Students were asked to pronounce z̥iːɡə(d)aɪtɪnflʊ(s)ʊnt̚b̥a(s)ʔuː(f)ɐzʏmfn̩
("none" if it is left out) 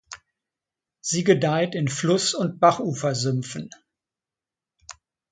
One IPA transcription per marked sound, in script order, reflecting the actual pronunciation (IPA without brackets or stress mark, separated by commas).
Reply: d, s, χ, f